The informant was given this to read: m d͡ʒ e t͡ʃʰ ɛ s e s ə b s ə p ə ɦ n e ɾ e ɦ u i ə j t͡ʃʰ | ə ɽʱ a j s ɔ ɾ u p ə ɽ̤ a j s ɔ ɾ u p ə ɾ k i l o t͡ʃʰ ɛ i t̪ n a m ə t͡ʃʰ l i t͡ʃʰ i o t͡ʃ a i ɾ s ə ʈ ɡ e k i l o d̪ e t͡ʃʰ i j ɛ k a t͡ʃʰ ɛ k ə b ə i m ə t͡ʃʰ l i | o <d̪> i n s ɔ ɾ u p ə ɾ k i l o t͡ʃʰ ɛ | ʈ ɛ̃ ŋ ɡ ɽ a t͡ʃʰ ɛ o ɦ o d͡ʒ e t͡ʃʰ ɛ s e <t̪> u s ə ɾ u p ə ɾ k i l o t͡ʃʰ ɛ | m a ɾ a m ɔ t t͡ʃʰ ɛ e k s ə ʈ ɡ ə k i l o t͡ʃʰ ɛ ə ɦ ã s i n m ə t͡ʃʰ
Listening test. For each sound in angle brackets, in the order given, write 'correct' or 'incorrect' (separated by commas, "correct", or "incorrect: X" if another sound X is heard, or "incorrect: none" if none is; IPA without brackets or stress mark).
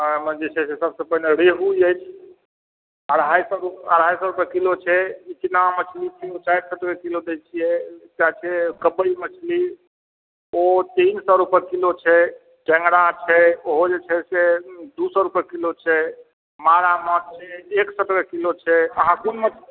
incorrect: t̪, incorrect: d̪